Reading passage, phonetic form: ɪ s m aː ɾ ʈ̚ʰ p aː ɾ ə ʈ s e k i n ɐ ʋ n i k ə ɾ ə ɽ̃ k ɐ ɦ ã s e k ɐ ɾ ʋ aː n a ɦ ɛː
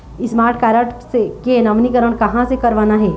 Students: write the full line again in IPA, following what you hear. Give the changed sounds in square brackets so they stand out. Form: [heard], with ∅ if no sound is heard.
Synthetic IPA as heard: ɪ s m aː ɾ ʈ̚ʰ [k] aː ɾ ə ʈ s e k [e] n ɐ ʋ n i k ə ɾ ə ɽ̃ k ɐ ɦ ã s e k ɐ ɾ ʋ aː n a ɦ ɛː